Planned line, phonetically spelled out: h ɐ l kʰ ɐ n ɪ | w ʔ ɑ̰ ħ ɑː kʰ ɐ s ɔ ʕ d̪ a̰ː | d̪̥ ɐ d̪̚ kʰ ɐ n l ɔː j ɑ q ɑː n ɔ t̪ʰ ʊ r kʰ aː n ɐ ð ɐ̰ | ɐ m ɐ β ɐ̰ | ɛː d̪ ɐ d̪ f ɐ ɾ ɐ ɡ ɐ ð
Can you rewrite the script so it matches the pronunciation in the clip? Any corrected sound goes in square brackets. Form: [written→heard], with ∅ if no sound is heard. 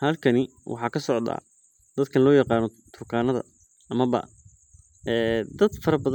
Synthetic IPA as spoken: h ɐ l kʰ ɐ n ɪ | w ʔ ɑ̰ ħ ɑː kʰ ɐ s ɔ ʕ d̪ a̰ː | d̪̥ ɐ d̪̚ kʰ ɐ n l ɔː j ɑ q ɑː n ɔ t̪ʰ ʊ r kʰ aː n ɐ ð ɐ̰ | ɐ m ɐ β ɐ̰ | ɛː d̪ ɐ d̪ f ɐ ɾ ɐ [ɡ→b] ɐ ð